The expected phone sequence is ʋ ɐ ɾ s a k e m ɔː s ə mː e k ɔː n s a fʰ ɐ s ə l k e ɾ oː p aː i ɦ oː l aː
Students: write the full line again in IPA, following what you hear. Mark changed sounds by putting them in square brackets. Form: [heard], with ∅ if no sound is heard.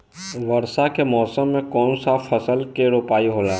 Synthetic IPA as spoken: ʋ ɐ ɾ s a k e m ɔː s ə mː [ẽ] k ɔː n s a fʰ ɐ s ə l k e ɾ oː p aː i ɦ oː l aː